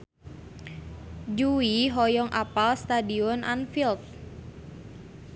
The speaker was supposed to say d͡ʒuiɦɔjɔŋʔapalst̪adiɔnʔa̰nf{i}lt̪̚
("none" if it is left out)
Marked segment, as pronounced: i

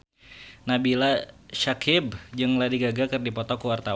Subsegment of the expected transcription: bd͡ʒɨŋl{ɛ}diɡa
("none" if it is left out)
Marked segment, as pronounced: a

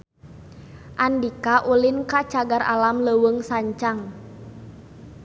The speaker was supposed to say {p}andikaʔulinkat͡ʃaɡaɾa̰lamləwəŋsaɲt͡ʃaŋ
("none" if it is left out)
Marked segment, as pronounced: ʔ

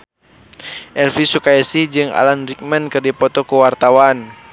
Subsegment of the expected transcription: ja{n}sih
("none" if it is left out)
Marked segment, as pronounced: none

